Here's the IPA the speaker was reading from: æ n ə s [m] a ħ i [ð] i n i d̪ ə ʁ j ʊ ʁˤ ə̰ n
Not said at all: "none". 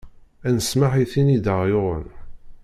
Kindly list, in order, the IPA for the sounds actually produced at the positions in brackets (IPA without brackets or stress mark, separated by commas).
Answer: m, θ